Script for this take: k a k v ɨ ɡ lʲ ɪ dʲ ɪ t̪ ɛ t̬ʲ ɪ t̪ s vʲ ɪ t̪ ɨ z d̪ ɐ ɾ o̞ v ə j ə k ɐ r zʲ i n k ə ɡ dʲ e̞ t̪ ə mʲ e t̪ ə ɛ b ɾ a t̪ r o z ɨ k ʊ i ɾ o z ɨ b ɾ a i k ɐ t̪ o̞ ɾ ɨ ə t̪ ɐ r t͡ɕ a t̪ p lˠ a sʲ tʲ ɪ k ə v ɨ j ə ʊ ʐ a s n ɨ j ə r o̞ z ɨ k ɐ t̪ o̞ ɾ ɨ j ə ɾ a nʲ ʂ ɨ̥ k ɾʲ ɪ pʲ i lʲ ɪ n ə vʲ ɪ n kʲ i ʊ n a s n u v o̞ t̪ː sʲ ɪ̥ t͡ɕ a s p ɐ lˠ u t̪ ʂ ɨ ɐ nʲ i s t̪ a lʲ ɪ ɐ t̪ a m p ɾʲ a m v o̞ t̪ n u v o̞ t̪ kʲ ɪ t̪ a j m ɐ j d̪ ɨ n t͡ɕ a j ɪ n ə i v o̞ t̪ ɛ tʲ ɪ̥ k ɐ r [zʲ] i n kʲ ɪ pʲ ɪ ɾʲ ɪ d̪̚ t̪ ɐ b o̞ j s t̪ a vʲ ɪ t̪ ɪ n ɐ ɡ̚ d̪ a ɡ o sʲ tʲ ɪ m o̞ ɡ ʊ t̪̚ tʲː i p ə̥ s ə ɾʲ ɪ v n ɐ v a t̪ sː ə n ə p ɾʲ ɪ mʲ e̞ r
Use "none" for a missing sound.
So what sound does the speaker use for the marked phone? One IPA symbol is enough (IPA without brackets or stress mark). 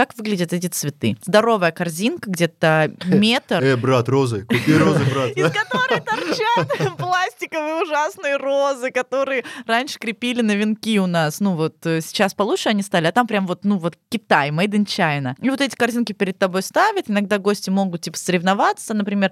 zʲ